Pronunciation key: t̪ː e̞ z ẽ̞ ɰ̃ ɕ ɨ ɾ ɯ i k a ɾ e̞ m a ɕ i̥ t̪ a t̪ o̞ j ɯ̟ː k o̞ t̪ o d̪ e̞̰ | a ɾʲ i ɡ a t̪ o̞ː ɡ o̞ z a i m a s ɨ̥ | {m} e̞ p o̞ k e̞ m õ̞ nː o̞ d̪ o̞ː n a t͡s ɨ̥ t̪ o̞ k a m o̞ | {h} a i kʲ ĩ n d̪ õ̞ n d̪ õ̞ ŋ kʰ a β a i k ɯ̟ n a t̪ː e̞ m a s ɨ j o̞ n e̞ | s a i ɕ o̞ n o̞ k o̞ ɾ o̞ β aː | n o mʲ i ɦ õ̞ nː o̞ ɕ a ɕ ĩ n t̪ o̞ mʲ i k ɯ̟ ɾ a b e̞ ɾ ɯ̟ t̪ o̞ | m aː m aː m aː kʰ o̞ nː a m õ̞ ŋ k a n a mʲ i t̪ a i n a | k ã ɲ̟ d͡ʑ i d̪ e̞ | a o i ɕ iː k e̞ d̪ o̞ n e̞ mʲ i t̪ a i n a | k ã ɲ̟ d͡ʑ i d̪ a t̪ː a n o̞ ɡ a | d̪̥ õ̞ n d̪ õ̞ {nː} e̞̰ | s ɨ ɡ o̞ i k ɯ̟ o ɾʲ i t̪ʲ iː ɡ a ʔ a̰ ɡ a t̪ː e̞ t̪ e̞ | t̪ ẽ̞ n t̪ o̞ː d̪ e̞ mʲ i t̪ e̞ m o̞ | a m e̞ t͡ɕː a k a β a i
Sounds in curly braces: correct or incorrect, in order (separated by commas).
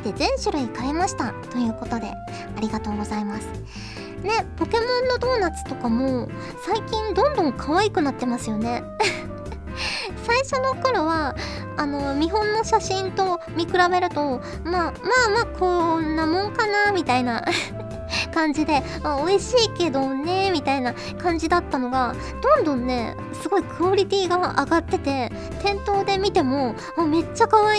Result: incorrect, incorrect, correct